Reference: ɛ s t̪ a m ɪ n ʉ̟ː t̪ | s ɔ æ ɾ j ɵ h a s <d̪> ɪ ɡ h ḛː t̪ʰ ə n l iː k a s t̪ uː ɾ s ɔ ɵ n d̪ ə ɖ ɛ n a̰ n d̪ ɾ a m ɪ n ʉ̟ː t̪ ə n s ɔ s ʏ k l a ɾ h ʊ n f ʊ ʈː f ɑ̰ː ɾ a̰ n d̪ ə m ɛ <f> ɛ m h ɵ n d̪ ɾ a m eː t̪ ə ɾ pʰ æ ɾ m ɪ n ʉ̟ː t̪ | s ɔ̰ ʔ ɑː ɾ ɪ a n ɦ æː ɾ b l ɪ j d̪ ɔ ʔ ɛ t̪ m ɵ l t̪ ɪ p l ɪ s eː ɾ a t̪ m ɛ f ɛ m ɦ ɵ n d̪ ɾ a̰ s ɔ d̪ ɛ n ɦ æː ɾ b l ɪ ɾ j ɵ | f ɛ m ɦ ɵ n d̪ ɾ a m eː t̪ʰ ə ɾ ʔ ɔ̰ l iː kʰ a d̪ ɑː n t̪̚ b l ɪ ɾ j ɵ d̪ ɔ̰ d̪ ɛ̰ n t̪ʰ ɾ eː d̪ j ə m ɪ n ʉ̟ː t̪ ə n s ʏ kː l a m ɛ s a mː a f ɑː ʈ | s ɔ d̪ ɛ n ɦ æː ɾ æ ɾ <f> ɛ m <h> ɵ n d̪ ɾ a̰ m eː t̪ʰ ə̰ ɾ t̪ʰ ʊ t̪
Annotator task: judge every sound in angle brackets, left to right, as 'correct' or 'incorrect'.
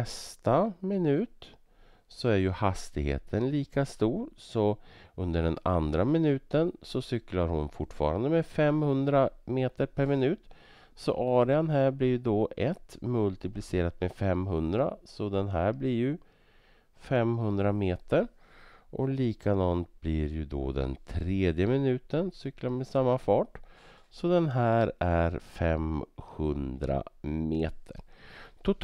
incorrect: t̪, correct, correct, correct

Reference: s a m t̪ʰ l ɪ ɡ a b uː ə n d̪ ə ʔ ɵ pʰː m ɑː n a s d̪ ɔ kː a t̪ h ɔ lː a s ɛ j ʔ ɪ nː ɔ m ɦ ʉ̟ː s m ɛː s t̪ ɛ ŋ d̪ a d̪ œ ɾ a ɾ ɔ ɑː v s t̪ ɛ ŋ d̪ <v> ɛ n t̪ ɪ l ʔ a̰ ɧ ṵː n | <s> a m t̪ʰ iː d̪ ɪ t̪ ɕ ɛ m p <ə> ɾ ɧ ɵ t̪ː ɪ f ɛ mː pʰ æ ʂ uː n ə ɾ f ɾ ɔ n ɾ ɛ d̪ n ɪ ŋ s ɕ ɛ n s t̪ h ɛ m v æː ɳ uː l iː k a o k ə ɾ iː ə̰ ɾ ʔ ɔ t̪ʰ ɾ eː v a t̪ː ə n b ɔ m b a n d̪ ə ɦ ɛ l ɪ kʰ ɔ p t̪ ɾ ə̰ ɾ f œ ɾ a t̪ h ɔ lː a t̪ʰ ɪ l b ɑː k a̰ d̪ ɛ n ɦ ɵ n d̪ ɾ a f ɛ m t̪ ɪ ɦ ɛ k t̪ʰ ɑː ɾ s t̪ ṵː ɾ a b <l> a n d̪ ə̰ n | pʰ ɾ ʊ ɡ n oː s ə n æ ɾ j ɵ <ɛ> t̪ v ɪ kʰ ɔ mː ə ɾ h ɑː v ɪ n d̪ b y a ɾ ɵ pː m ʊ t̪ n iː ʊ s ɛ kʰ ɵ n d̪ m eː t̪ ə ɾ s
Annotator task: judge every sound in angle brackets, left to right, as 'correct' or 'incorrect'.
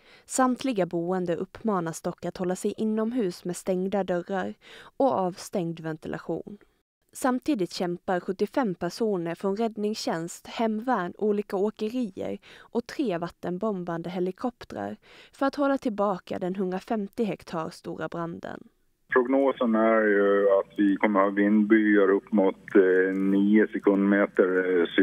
correct, correct, incorrect: a, incorrect: ɾ, incorrect: a

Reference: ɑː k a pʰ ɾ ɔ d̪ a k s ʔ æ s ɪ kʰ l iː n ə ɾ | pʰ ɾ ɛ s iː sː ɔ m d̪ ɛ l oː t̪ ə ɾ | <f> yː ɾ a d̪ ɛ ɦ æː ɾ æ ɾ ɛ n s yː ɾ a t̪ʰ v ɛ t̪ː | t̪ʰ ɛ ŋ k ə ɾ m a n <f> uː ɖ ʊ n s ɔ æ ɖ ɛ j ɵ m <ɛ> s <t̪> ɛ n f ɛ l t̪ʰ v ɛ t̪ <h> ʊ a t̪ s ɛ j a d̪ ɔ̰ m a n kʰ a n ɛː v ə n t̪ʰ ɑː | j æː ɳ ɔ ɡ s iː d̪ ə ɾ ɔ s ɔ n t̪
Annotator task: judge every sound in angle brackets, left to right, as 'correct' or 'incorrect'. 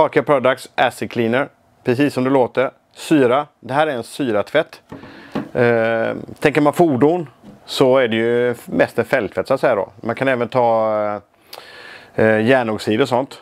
incorrect: s, correct, correct, correct, incorrect: s

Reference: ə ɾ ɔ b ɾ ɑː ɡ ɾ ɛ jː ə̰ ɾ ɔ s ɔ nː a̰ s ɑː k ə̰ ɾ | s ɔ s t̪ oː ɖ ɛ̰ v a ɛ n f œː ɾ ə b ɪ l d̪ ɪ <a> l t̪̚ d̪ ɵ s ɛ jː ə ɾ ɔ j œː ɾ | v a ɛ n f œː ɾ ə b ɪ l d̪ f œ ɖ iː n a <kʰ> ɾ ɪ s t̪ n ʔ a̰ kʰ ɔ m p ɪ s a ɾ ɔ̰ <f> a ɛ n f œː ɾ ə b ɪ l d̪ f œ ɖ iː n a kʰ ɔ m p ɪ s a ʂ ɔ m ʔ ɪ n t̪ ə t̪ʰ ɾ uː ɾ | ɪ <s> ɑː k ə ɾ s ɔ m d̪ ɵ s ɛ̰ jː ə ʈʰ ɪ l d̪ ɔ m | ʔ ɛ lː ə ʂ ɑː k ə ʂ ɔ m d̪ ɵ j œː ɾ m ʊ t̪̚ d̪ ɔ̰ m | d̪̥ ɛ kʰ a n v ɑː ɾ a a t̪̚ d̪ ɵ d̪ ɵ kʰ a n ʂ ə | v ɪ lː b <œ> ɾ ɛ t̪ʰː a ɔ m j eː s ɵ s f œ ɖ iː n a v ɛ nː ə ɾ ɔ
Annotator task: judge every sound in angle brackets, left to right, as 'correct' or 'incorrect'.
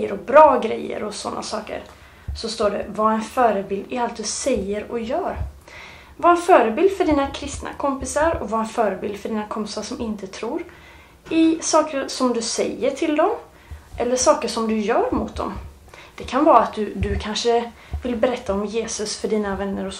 correct, correct, incorrect: v, correct, incorrect: ɛ

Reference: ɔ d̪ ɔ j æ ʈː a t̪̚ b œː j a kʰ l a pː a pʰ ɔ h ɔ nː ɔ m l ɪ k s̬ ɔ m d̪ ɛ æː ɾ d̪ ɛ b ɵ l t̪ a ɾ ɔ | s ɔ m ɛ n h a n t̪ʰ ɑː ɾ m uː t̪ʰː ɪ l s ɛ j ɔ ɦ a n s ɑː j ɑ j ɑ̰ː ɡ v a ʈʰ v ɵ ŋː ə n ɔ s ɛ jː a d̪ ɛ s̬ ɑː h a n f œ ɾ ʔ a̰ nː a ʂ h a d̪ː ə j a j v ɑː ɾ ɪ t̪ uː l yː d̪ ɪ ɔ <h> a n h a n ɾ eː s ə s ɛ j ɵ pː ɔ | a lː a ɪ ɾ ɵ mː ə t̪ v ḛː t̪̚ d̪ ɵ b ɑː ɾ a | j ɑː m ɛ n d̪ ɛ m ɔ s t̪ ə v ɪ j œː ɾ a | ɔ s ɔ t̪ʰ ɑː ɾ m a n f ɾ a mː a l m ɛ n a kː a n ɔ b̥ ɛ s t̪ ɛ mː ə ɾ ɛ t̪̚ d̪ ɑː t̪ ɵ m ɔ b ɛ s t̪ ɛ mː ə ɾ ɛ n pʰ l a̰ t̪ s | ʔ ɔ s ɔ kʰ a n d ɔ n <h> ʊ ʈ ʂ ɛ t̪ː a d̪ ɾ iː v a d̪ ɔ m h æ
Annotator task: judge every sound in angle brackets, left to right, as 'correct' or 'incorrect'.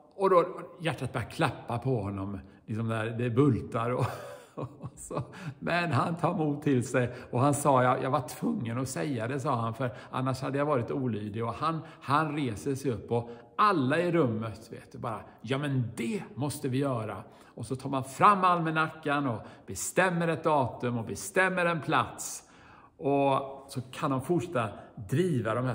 correct, incorrect: f

